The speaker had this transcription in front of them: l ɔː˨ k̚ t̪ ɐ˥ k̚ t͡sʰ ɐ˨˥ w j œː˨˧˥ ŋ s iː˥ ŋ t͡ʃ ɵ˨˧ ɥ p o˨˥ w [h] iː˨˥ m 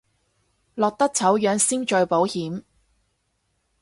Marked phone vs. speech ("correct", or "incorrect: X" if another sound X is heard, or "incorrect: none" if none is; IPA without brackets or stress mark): correct